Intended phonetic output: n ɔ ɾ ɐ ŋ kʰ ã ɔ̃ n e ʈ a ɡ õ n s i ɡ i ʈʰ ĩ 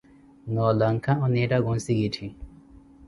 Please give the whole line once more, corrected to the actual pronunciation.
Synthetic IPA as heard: n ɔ l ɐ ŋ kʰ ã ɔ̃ n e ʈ a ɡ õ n s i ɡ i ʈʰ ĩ